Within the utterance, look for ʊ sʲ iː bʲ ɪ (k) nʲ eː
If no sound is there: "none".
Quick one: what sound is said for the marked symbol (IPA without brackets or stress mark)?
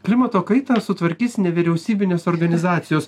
none